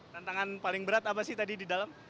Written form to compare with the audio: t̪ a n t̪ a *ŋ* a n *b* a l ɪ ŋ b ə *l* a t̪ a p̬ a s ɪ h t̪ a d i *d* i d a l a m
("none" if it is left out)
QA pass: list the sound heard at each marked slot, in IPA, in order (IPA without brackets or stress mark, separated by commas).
ŋ, p, ɾ, d